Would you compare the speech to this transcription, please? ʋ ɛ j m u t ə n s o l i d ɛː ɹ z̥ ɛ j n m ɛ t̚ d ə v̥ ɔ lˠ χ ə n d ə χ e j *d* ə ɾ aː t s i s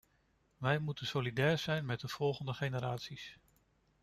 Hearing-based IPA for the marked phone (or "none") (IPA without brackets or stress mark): n